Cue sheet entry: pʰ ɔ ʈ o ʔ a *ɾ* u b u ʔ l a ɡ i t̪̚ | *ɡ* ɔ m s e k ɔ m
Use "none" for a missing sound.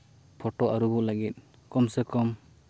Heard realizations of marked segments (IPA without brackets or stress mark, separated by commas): ɾ, k